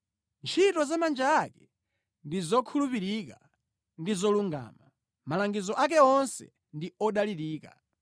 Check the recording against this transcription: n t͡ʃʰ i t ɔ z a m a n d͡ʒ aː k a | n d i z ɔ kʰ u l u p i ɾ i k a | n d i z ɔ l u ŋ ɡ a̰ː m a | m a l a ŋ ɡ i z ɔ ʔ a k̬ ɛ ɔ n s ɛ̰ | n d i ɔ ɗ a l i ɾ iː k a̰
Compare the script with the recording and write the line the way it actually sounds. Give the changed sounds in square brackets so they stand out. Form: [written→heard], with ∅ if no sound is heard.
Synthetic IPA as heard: n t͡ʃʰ i t ɔ z a m a n d͡ʒ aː k [a→ɛ] | n d i z ɔ kʰ u l u p i ɾ i k a | n d i z ɔ l u ŋ ɡ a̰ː m a | m a l a ŋ ɡ i z ɔ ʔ a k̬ ɛ ɔ n s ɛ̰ | n d i ɔ ɗ a l i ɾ iː k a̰